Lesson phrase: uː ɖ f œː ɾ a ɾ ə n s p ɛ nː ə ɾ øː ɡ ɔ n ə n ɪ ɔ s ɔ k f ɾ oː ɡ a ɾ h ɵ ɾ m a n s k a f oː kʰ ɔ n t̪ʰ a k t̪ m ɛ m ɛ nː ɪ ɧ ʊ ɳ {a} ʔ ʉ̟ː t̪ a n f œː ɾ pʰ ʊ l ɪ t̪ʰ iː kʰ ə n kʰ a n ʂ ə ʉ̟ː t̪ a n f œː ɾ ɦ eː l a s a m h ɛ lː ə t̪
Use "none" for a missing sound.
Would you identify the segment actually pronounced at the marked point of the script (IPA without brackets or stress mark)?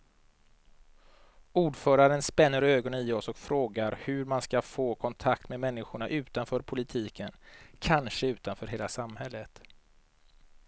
a